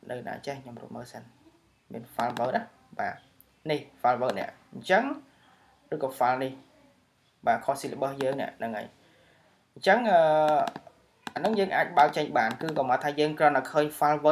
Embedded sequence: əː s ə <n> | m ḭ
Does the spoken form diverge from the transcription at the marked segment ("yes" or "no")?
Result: no